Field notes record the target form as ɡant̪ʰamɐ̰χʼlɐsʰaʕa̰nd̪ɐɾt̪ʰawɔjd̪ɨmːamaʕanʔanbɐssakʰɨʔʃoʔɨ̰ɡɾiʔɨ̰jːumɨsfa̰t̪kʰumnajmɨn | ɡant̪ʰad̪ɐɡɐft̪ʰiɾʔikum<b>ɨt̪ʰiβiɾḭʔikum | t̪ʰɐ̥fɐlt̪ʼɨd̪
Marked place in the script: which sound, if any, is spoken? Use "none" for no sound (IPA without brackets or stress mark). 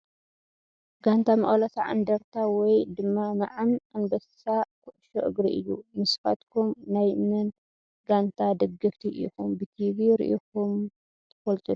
b